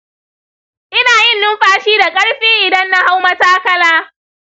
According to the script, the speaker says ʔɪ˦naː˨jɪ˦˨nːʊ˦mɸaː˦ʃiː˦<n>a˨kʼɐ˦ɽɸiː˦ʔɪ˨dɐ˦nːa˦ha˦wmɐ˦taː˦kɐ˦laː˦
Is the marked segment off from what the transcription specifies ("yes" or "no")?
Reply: yes